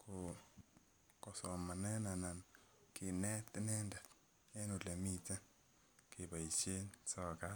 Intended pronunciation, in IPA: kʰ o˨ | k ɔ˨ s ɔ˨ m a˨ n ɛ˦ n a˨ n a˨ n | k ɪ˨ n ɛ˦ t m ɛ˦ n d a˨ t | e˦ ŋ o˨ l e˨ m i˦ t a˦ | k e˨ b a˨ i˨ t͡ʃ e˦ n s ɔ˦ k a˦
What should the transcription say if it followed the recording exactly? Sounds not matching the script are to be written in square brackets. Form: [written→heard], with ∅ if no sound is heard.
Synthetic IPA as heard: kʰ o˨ | k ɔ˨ s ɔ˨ m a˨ n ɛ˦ n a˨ n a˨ n | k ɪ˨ n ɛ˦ t [m→n] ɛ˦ n d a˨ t | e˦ [ŋ→n] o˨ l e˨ m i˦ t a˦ | k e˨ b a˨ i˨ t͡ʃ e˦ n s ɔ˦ k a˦